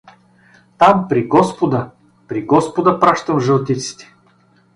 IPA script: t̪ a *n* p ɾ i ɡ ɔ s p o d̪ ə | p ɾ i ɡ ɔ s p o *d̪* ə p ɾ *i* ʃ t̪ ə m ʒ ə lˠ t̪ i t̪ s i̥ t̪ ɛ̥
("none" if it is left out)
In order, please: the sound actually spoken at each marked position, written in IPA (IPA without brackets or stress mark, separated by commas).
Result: m, d̪, a